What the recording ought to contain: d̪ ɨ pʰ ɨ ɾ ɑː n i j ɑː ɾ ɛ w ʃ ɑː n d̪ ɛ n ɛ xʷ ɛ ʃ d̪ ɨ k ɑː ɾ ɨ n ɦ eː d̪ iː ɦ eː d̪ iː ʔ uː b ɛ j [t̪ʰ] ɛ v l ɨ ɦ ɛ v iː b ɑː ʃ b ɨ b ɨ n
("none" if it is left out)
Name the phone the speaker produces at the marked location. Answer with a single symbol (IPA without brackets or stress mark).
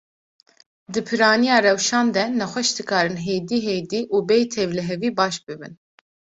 t̪ʰ